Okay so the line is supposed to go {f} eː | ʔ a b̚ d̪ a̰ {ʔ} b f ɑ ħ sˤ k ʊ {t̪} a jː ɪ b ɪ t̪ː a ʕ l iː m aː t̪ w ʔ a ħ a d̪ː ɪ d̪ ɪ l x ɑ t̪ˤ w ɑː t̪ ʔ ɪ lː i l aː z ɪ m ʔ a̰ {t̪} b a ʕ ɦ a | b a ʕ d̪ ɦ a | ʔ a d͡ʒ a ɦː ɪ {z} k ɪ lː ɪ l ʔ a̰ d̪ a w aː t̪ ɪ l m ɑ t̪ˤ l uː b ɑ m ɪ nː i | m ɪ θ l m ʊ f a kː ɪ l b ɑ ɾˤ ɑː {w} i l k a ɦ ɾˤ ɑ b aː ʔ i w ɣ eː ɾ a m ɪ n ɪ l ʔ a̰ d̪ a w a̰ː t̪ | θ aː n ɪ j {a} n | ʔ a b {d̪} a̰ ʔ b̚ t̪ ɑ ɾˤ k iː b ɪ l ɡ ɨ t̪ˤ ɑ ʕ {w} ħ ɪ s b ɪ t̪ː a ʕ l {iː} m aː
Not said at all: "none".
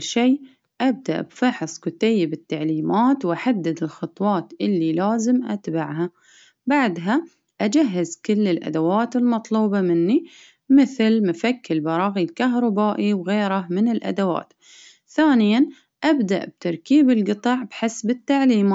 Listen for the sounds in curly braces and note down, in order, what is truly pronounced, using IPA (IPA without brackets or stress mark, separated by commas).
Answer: ʃ, ʔ, t̪, t̪, z, ɣ, a, d̪, b, iː